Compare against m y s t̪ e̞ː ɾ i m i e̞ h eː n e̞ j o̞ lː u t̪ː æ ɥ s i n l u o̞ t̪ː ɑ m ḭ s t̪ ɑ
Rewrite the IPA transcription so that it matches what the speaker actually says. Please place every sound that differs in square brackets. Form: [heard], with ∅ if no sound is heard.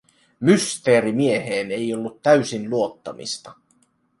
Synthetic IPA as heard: m y s t̪ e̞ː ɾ i m i e̞ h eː n e̞ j o̞ lː u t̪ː æ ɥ s i n l u o̞ t̪ː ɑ m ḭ s t̪ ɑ